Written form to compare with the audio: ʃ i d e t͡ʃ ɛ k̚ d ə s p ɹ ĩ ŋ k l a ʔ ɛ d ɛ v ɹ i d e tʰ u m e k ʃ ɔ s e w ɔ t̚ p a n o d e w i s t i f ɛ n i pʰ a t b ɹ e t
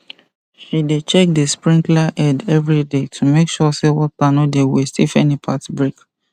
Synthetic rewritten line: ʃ i d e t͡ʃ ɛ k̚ d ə s p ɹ ĩ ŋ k l a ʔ ɛ d ɛ v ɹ i d e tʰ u m e k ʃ ɔ s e w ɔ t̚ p a n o d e w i s t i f ɛ n i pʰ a t b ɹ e k